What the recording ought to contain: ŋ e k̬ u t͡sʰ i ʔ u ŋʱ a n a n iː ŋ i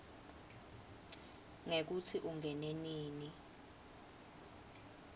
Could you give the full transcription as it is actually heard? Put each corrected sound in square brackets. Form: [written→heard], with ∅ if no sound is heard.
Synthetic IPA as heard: ŋ e k̬ u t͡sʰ i ʔ u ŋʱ [a→ɛ] n [a→e] n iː [ŋ→n] i